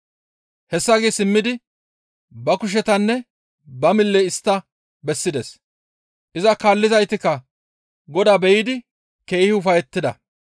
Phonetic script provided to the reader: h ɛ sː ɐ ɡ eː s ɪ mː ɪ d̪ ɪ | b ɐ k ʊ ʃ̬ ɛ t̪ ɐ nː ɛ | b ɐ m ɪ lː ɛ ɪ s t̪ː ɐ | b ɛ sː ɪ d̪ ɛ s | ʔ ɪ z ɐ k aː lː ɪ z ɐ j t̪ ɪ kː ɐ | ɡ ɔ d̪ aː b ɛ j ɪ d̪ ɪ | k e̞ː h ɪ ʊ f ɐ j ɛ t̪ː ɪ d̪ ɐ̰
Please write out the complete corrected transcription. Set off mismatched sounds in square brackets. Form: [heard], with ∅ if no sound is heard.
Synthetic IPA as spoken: h ɛ sː ɐ ɡ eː s ɪ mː ɪ d̪ ɪ | b ɐ k ʊ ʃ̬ ɛ t̪ ɐ nː ɛ | b ɐ m ɪ lː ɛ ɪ s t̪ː ɐ | b ɛ sː ɪ d̪ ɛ s | ʔ ɪ z ɐ k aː lː ɪ z ɐ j t̪ ɪ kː ɐ | ɡ ɔ d̪ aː b ɛ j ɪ d̪ ɪ | k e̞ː h ɪ ʊ f ɐ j ɛ t̪ː ɪ d̪ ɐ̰